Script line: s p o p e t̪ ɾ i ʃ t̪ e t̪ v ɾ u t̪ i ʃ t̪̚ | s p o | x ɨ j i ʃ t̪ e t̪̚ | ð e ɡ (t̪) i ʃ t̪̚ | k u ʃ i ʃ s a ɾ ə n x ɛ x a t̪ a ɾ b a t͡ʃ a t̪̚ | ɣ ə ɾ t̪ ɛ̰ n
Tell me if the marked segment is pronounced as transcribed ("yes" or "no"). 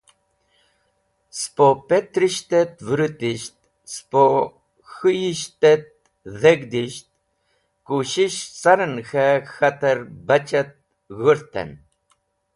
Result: no